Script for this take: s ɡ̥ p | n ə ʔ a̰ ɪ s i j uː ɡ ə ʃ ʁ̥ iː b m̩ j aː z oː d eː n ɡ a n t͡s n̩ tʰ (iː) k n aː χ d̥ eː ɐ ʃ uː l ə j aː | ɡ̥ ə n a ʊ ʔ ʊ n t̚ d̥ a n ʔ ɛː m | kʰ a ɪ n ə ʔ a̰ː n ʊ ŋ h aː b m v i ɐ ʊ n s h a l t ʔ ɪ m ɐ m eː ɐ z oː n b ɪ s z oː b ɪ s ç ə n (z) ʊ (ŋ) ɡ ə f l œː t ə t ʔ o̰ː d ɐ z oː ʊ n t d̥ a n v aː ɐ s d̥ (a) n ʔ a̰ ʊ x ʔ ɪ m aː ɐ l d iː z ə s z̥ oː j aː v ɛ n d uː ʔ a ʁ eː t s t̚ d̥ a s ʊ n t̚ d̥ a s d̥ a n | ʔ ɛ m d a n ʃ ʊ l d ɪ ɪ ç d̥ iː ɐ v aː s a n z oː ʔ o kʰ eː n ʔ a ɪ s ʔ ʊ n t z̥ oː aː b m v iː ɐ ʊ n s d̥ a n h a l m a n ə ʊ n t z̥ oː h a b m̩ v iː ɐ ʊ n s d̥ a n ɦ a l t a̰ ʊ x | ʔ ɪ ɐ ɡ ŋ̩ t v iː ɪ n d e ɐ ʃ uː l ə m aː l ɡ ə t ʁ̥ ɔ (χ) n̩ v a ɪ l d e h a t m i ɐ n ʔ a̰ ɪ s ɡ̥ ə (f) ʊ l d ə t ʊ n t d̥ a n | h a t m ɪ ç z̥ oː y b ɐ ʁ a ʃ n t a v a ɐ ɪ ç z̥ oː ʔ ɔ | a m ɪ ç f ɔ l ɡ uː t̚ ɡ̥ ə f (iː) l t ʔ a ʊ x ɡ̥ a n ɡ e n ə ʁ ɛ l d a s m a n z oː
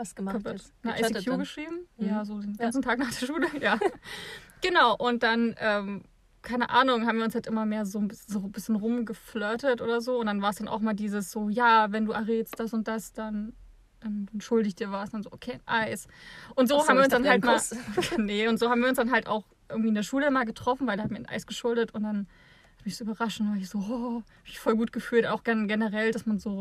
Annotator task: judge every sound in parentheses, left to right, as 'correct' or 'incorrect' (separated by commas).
incorrect, incorrect, incorrect, correct, incorrect, incorrect, incorrect